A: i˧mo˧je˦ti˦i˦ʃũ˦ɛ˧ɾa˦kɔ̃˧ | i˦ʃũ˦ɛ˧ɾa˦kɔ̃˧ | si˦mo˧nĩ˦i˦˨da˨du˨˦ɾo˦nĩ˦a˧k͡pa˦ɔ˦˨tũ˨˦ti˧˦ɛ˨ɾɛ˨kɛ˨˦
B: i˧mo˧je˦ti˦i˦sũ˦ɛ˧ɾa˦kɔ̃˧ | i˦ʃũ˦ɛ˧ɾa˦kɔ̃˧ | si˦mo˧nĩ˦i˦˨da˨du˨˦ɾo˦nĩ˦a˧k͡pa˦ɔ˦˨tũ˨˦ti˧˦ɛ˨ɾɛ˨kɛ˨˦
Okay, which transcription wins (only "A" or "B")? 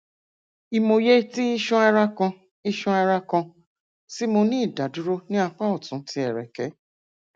A